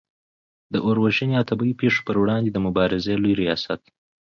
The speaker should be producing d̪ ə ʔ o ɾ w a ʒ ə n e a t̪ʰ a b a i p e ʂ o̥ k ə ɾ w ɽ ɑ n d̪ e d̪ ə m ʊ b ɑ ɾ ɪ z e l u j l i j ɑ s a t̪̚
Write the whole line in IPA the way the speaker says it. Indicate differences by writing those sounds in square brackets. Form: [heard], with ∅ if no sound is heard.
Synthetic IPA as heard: d̪ ə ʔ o ɾ w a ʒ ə n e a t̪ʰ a b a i p e ʂ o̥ [p] ə ɾ w ɽ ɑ n d̪ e d̪ ə m ʊ b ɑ ɾ ɪ z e l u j [ɾ] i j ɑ s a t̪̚